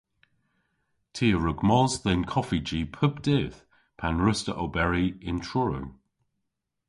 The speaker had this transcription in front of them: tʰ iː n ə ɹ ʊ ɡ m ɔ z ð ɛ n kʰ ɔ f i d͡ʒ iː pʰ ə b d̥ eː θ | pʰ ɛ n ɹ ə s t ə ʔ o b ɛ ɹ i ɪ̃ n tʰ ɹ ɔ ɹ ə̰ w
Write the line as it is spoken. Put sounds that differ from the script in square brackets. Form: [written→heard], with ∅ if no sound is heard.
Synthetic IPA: tʰ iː [n→∅] ə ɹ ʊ ɡ m ɔ z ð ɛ n kʰ ɔ f i d͡ʒ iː pʰ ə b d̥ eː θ | pʰ [ɛ→a] n ɹ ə s t ə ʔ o b ɛ ɹ i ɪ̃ n tʰ ɹ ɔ ɹ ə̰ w